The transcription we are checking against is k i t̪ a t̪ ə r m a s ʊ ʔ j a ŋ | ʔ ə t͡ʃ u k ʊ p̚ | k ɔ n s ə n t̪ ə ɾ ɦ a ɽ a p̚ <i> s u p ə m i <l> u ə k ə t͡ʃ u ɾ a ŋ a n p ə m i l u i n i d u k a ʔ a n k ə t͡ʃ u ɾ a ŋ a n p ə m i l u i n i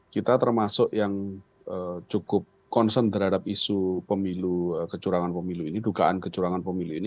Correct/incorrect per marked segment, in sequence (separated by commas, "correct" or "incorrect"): correct, correct